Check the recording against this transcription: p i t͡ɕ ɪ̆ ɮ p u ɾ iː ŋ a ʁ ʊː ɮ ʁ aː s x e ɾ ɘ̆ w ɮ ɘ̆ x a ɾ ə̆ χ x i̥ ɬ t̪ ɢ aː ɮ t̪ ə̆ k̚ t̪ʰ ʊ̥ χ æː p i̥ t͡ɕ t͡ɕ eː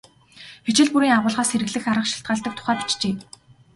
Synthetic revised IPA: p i t͡ɕ ɪ̆ ɮ p u ɾ iː ŋ a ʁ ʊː ɮ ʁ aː s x e ɾ ɘ̆ ɣ ɮ ɘ̆ x a ɾ ə̆ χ ʃ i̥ ɬ t̪ ɢ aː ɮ t̪ ə̆ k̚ t̪ʰ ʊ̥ χ æː p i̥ t͡ɕ t͡ɕ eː